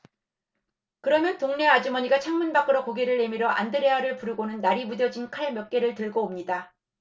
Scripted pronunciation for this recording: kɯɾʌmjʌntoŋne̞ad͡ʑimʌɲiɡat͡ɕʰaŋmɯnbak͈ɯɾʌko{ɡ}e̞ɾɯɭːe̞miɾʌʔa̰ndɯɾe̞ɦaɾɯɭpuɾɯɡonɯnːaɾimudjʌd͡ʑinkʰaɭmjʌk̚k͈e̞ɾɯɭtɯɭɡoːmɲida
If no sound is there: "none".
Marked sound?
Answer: ɡ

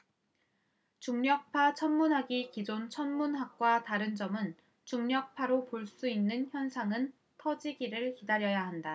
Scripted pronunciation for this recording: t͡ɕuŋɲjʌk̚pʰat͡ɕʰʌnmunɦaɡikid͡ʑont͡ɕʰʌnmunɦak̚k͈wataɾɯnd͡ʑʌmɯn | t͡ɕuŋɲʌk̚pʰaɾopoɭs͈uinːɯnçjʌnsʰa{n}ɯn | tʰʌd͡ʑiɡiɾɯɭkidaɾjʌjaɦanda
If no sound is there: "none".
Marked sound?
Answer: ŋ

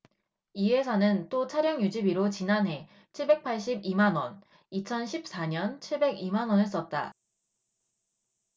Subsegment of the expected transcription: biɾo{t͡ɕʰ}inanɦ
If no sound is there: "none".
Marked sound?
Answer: t͡ɕ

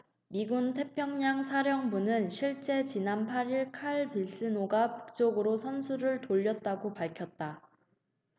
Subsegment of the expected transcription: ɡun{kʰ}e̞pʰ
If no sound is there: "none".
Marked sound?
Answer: tʰ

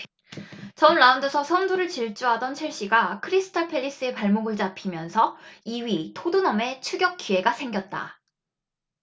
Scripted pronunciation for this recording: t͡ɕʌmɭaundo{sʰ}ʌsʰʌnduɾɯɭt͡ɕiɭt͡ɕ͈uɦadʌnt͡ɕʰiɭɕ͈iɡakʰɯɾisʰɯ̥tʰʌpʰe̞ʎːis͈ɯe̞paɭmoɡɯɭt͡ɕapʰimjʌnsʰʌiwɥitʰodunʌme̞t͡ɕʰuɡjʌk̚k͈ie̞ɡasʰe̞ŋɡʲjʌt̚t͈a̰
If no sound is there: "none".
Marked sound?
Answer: sʰ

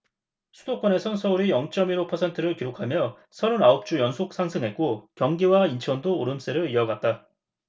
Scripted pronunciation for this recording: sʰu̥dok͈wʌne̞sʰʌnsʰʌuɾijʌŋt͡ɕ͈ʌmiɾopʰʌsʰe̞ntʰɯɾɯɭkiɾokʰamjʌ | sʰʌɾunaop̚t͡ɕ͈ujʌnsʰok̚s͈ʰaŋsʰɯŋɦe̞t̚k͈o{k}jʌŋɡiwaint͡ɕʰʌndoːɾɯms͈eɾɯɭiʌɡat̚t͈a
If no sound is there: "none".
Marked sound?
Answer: k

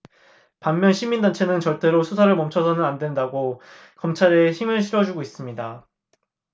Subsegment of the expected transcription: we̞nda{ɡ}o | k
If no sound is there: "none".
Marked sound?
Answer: ɡ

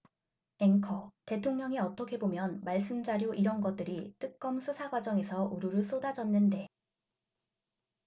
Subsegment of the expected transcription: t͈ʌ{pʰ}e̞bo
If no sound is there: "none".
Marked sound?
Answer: kʰ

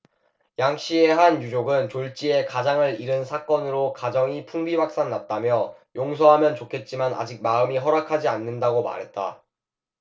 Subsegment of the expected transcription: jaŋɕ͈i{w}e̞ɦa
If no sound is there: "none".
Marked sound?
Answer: none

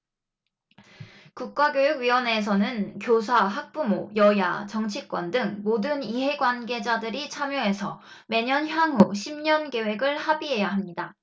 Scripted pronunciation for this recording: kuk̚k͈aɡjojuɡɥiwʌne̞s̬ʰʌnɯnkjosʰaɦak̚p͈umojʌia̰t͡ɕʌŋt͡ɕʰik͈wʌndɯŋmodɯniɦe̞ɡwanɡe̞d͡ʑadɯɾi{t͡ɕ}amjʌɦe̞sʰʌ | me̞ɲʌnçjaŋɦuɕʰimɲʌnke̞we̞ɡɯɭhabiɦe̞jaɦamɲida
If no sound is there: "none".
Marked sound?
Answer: t͡ɕʰ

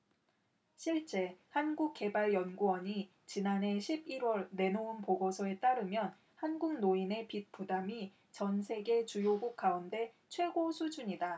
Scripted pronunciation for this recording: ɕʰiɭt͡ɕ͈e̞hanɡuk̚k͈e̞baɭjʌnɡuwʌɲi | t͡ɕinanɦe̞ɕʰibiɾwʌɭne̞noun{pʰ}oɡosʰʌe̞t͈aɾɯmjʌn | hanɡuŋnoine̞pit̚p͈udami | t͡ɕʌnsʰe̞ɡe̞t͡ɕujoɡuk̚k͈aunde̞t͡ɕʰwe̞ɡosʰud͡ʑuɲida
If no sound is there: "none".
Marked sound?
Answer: p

